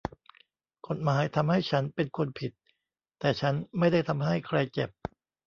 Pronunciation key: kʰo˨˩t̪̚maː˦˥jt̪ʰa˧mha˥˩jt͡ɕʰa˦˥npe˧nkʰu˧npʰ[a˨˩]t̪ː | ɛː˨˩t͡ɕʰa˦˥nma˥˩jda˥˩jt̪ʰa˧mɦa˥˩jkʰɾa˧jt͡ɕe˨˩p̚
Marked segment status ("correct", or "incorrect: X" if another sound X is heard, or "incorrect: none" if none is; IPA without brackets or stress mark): incorrect: i˨˩